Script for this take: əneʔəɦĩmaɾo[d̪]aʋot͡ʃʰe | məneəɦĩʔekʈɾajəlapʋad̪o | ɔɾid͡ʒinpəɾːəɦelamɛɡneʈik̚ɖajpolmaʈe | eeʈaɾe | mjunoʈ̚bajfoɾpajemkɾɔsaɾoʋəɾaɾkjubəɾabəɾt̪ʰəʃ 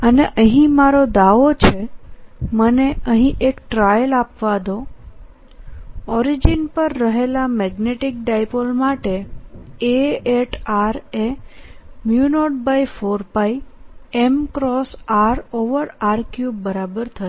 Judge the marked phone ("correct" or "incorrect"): correct